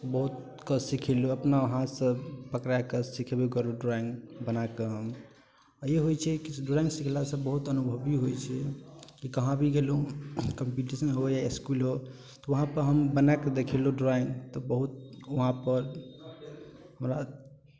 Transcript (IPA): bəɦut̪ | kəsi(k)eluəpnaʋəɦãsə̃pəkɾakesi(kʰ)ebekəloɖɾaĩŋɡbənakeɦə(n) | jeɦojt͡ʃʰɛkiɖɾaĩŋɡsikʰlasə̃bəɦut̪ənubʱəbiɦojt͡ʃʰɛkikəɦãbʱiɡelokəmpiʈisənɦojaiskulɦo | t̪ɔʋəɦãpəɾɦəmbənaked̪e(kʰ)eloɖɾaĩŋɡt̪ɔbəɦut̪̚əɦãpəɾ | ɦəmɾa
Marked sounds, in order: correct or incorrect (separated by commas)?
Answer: incorrect, correct, incorrect, correct